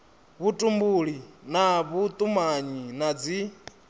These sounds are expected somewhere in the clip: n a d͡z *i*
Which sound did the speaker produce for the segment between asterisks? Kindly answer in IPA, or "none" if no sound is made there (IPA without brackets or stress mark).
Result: i